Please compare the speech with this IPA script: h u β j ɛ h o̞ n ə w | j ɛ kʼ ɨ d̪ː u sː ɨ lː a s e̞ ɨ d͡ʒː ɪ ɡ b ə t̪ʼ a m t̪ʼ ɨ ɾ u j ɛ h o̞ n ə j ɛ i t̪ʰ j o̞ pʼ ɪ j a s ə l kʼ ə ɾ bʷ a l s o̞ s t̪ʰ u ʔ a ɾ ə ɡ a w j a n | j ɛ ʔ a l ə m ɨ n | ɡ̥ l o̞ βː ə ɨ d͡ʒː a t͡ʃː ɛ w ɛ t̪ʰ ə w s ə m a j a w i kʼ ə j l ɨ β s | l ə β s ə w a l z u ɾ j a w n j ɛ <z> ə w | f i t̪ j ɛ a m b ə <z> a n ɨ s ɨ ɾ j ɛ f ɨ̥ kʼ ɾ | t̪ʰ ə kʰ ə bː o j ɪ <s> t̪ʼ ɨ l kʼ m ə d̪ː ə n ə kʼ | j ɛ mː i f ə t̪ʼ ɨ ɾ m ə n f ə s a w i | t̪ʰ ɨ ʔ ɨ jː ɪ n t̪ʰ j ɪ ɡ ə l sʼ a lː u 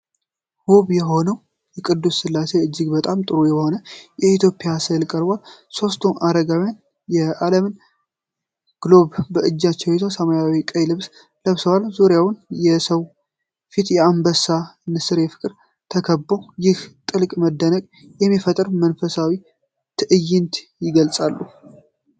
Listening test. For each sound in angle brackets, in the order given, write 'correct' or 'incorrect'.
incorrect: s, incorrect: s, incorrect: h

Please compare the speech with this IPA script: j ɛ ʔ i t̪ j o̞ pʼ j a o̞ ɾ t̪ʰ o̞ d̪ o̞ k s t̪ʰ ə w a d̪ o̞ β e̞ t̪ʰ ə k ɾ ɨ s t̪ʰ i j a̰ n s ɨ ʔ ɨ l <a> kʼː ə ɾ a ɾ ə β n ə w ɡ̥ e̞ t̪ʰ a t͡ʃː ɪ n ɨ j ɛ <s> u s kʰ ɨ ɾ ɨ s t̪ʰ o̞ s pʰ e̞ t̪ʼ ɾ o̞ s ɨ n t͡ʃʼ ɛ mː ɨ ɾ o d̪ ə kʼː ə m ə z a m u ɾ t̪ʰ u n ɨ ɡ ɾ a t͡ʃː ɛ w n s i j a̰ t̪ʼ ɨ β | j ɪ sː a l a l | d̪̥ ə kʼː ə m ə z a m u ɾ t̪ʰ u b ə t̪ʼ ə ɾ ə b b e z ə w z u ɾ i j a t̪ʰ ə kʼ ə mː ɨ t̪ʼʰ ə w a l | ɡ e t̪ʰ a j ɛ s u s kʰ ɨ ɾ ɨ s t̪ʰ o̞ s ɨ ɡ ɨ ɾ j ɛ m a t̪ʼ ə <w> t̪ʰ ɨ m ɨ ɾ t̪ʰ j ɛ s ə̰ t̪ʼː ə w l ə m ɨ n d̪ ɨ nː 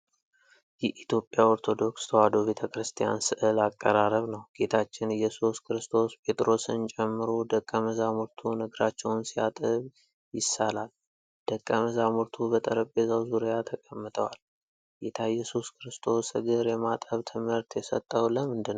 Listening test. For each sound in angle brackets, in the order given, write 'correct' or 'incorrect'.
correct, correct, incorrect: β

